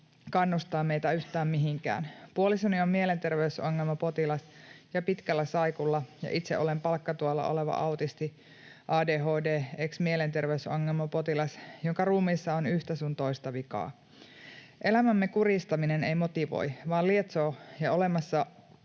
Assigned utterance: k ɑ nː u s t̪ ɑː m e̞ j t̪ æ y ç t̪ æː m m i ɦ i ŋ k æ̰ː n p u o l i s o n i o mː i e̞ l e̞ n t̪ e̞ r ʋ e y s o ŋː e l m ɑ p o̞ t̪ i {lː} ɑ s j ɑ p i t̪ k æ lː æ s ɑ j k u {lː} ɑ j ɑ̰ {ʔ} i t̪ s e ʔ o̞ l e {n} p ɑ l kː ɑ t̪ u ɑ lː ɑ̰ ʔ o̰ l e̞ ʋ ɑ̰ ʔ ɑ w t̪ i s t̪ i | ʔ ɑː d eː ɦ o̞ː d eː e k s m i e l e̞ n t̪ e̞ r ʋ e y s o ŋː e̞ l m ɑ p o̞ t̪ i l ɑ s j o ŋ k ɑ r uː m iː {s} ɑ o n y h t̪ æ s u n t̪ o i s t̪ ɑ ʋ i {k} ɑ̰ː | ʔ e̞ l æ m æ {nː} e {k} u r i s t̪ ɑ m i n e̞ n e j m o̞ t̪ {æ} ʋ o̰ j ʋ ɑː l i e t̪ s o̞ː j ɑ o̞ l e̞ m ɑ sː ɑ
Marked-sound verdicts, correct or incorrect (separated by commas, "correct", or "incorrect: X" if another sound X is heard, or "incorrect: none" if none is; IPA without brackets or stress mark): incorrect: l, correct, correct, incorrect: m, incorrect: sː, correct, incorrect: mː, correct, incorrect: i